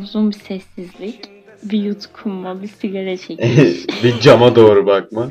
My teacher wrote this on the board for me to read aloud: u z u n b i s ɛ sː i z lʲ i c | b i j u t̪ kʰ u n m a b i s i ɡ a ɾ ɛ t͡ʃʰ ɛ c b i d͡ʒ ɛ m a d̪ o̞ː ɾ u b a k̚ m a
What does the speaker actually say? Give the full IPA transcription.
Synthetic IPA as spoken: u z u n b i s ɛ sː i z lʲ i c | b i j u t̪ kʰ u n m a b i s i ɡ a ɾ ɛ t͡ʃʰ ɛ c b i d͡ʒ a m a d̪ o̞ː ɾ u b a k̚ m a